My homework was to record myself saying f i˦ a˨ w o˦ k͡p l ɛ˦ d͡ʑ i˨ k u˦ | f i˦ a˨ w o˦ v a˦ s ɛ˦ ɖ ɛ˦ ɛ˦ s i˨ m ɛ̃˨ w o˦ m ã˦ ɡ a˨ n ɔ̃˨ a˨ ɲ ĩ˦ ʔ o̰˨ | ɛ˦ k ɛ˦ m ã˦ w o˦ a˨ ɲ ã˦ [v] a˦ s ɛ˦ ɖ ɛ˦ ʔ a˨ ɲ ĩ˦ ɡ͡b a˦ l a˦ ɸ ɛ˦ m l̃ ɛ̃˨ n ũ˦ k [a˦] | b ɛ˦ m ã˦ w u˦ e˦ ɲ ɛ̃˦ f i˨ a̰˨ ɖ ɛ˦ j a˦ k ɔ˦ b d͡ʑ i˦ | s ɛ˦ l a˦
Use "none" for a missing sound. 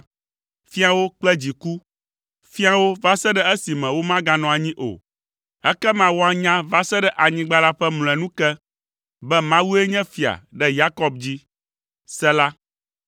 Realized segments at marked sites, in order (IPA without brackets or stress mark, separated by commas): v, ɛ˦